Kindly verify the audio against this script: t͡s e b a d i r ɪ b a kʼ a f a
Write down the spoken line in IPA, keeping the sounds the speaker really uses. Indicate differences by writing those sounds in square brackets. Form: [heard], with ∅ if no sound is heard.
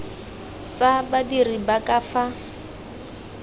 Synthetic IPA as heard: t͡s [a] b a d i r [i] b a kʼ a f a